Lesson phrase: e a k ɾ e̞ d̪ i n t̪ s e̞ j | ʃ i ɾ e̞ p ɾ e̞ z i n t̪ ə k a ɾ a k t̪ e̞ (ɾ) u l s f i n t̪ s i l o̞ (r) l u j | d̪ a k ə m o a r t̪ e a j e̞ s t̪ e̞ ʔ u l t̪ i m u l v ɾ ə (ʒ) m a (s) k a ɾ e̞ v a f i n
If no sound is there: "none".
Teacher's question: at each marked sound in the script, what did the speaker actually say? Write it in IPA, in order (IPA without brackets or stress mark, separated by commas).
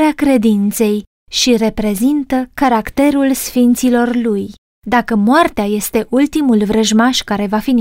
ɾ, r, ʒ, ʃ